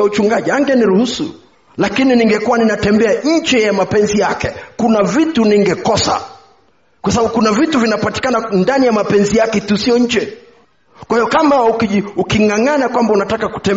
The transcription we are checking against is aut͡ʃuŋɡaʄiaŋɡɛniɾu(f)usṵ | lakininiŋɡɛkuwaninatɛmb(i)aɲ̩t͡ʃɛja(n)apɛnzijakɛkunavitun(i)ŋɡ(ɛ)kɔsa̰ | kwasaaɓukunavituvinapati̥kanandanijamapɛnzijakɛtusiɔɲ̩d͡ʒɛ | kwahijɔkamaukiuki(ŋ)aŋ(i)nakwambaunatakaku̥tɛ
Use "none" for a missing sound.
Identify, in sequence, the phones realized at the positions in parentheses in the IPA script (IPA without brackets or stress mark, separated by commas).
h, ɛ, m, i, ɛ, ŋ, a